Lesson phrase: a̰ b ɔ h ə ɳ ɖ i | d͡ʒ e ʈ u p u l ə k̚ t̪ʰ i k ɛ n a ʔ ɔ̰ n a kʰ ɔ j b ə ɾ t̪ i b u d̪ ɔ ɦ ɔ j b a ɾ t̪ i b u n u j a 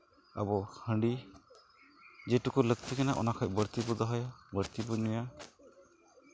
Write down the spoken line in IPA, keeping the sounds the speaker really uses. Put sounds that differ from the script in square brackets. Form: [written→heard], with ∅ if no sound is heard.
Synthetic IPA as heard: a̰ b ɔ h ə ɳ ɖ i | d͡ʒ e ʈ u [p→k] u l ə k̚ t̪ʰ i k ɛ n a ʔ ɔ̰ n a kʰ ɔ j b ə ɾ t̪ i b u d̪ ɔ ɦ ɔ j b [a→ə] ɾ t̪ i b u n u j a